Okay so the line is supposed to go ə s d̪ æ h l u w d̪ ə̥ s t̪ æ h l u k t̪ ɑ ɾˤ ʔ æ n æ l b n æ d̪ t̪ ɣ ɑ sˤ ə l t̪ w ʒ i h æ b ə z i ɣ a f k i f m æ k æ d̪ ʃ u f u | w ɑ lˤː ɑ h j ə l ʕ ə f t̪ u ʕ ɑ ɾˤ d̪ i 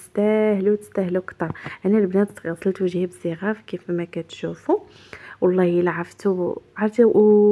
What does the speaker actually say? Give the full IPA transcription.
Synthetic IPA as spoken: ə s t̪ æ h l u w t̪ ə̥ s t̪ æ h l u k t̪ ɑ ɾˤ ʔ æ n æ l b n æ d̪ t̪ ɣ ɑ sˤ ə l t̪ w ʒ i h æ b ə z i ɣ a f k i f m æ k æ t̪ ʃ u f u | w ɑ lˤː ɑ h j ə l ʕ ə f t̪ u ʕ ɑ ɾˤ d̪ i